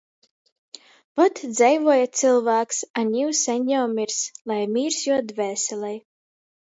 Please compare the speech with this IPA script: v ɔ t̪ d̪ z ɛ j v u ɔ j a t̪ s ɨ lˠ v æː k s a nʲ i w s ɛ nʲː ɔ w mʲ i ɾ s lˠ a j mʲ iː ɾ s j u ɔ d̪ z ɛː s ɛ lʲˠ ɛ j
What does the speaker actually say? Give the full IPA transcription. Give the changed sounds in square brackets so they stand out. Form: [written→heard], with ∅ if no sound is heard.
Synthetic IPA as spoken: v ɔ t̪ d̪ z ɛ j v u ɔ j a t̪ s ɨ lˠ v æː k s a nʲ i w s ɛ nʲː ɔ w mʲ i ɾ s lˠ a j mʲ iː ɾ s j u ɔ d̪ [z→v] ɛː s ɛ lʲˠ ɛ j